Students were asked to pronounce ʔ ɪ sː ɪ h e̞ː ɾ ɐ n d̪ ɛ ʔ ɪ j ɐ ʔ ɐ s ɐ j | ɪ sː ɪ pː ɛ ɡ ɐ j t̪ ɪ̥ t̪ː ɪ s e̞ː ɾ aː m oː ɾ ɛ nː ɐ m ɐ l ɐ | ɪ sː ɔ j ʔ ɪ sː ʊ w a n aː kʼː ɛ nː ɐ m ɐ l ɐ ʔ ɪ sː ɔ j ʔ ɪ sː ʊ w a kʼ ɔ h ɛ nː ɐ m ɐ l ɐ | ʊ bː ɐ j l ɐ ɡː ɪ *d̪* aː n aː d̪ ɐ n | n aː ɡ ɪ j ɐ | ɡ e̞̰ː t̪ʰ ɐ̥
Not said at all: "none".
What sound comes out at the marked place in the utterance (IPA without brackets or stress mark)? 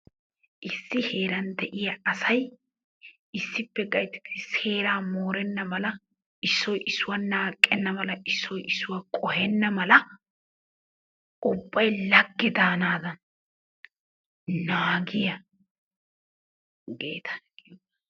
d̪